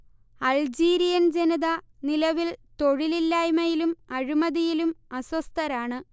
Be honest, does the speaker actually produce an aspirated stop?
no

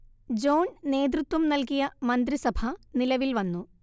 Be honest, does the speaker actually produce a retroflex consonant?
no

